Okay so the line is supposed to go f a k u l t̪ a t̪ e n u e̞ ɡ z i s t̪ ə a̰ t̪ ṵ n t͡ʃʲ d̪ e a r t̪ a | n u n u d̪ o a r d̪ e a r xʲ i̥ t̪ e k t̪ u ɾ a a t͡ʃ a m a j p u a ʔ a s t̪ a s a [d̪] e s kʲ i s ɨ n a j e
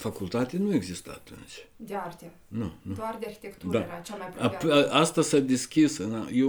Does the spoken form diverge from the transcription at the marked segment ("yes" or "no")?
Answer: no